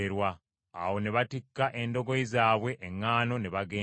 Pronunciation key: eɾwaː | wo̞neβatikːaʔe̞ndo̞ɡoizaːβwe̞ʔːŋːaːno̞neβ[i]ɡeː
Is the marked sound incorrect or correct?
incorrect